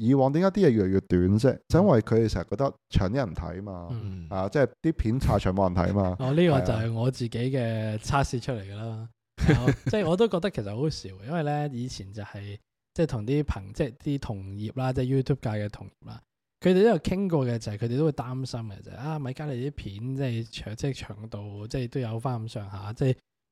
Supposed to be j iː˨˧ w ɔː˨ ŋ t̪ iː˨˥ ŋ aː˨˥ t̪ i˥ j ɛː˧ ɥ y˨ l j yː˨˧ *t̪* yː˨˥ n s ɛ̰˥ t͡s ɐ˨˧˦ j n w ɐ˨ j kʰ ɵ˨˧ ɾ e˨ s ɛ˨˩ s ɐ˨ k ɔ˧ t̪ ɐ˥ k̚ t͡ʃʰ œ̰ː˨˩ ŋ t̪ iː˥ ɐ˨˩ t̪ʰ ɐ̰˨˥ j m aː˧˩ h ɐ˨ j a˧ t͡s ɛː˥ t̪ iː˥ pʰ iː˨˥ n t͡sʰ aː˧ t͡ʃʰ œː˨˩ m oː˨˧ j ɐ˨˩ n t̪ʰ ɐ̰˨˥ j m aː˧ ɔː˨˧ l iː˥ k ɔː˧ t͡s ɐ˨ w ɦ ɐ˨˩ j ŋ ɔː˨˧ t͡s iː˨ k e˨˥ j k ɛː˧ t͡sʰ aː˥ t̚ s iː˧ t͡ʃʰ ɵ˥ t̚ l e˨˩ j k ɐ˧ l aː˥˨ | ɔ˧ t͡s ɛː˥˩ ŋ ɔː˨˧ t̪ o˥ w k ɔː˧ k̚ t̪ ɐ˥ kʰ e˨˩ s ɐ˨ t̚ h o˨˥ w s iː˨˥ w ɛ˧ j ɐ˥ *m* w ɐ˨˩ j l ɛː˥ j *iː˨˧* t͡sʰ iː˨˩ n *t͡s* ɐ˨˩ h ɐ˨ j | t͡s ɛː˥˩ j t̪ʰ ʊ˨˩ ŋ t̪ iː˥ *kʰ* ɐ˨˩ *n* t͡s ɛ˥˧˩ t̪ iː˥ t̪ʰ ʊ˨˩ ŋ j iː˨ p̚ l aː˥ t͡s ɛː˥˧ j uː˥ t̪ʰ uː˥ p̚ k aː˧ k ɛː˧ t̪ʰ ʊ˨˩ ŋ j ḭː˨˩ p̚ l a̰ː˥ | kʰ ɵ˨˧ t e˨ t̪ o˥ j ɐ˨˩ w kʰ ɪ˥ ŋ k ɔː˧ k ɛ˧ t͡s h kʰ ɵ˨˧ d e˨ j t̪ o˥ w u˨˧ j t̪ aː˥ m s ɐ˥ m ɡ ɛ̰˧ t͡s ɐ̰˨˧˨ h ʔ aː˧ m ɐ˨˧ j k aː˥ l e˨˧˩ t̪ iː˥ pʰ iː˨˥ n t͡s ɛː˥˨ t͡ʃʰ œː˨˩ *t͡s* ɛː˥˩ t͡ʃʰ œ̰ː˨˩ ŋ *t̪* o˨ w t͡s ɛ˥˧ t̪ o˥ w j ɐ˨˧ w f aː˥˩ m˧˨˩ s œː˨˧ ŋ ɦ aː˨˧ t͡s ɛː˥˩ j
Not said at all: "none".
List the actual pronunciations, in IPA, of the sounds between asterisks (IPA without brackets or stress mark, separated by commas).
t̪, n, iː˨˧, t͡s, pʰ, ŋ, t͡s, t̪